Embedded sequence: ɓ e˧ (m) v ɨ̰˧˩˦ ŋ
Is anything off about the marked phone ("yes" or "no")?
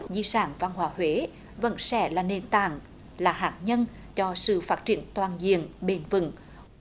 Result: yes